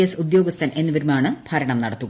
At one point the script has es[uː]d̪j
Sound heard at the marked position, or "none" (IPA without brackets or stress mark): u